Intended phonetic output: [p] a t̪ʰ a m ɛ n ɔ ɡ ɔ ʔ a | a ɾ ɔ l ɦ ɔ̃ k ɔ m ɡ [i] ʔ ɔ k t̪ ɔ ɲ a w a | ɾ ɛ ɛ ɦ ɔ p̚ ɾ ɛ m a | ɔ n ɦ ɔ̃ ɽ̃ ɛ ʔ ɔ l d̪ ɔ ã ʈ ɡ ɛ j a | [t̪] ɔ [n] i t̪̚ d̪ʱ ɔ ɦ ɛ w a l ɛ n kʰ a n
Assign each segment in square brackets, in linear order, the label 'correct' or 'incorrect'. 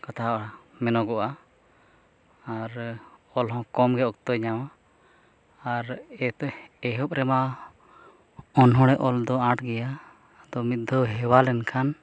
incorrect: k, incorrect: ɛ, incorrect: d̪, incorrect: m

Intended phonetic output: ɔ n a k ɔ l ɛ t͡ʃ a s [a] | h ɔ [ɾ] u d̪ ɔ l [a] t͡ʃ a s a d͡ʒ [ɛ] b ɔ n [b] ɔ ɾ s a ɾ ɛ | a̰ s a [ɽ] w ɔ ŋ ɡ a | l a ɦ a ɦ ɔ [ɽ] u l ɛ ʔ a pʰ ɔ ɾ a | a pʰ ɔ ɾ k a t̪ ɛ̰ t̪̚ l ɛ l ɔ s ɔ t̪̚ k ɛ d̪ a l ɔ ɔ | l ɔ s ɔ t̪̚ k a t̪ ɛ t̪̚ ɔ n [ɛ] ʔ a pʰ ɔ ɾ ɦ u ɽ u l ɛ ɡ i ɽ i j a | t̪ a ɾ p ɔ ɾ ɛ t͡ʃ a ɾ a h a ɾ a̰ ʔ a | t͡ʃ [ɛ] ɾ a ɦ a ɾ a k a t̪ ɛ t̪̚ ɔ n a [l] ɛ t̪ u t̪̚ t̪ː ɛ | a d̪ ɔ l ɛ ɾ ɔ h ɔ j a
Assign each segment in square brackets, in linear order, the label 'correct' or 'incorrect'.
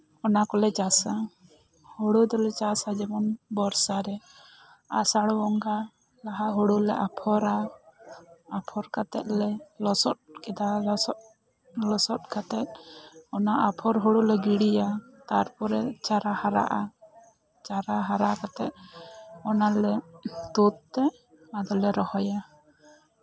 correct, incorrect: ɽ, incorrect: ɛ, correct, correct, correct, correct, incorrect: a, incorrect: a, correct

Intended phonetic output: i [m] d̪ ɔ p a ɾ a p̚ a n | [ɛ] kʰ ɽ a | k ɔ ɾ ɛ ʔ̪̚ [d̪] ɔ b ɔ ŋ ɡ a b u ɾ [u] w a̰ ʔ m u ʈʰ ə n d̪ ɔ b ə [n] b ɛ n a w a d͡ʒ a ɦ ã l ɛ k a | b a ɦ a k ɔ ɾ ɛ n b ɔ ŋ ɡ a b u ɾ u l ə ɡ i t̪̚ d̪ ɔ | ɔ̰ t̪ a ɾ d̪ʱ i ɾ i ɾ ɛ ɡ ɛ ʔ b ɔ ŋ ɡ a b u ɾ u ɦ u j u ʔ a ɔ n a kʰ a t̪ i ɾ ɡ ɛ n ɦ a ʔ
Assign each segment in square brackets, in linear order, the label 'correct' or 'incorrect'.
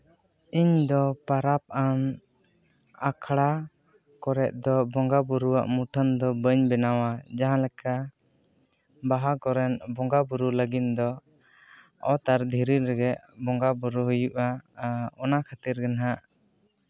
incorrect: ɲ, incorrect: a, correct, correct, incorrect: ɲ

